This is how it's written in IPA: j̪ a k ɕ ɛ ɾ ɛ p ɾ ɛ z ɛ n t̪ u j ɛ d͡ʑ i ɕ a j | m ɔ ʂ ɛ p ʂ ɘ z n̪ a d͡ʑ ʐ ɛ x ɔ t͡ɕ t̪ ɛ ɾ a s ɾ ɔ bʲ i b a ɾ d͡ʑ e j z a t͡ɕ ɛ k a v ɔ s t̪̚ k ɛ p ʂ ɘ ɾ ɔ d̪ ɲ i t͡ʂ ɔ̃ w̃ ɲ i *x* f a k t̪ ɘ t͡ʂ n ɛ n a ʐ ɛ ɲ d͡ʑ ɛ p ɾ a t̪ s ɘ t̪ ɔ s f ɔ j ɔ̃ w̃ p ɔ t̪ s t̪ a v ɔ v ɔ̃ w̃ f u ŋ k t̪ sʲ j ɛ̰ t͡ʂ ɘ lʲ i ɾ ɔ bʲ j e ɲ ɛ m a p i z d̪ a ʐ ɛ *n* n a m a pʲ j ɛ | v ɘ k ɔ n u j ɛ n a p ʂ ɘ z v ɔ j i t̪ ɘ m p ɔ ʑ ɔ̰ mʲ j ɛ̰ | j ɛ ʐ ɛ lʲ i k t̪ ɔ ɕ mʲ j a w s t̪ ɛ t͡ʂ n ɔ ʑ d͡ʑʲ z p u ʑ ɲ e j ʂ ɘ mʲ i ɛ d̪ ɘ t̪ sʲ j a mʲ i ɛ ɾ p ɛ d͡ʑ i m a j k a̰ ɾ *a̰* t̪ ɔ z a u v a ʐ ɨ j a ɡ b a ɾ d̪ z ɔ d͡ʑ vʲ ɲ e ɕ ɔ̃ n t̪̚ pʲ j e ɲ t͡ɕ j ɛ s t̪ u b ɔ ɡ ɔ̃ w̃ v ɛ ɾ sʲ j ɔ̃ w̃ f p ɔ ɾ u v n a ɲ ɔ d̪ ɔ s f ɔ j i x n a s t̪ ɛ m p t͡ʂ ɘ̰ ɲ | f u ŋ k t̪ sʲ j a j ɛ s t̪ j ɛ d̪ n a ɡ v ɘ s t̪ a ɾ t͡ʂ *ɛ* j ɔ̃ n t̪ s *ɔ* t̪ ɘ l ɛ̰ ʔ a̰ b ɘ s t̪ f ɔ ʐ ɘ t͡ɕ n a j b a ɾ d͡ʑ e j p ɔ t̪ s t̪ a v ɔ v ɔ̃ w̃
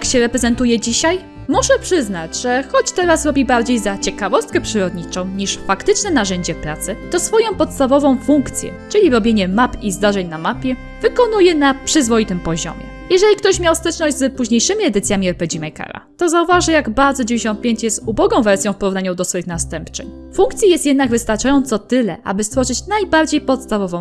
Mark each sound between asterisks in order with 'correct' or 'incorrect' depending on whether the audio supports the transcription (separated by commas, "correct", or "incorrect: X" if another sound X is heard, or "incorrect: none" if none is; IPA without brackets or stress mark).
incorrect: ʂ, incorrect: ɲ, correct, incorrect: a, correct